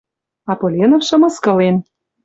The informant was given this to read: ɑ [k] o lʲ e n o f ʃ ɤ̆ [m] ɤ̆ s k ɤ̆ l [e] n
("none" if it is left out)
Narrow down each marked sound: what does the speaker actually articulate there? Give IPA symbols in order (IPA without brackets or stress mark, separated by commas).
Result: p, m, e